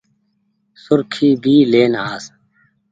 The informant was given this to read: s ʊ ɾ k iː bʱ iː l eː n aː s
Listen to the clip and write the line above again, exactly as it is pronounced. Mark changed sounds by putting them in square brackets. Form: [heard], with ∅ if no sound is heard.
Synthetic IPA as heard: s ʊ ɾ [kʰ] iː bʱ iː l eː n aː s

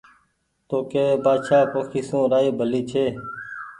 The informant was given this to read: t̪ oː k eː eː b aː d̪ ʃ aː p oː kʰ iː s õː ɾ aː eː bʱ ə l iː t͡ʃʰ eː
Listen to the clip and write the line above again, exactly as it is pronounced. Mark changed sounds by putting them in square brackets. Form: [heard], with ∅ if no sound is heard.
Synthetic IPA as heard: t̪ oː k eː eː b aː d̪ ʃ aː p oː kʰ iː s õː ɾ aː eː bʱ ə l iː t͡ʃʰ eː

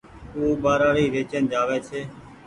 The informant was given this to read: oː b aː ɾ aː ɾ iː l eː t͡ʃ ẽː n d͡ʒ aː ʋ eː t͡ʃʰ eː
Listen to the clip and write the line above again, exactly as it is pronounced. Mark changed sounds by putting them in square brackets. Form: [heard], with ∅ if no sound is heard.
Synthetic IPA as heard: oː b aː ɾ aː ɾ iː [ɾ] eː t͡ʃ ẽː n d͡ʒ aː ʋ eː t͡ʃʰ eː

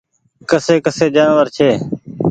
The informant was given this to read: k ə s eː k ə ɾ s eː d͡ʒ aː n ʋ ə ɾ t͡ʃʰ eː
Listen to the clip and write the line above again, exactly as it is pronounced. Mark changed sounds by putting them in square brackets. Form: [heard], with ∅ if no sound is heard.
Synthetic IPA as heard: k ə s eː k ə [∅] s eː d͡ʒ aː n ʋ ə ɾ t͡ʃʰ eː

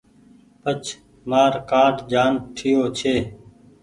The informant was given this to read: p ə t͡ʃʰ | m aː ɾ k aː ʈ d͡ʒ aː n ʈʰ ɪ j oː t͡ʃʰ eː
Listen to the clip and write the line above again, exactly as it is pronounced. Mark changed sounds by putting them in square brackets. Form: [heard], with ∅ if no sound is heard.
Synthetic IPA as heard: p ə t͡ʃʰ | m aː ɾ k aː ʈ d͡ʒ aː n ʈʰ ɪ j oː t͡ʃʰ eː

